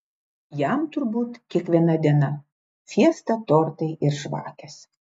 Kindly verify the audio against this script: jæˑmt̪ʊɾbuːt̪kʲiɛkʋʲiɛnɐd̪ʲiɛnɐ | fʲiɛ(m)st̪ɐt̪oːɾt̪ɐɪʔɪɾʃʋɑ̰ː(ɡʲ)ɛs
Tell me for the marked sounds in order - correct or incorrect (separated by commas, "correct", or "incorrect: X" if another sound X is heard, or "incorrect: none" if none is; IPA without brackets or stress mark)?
incorrect: none, incorrect: kʲ